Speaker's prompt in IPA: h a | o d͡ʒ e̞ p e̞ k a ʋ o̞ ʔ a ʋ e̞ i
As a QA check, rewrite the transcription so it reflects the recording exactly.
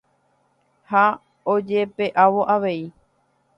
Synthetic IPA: h a | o d͡ʒ e̞ p e̞ ʔ a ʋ o̞ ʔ a ʋ e̞ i